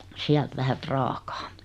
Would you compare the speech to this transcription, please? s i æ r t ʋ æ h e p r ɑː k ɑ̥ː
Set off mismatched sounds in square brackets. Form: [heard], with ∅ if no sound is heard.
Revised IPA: s i æ [l] t ʋ æ h [æ] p r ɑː k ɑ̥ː